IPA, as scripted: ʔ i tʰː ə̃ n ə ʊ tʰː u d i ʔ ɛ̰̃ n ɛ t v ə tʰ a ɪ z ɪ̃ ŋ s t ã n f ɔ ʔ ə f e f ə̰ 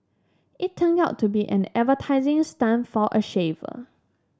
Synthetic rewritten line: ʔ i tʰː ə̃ n a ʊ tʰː u b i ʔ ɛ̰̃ n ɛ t v ə tʰ a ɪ z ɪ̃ ŋ s t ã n f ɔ ʔ ə ʃ e v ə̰